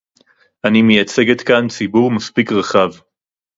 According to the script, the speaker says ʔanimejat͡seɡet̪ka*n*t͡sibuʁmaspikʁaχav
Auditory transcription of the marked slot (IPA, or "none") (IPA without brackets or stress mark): n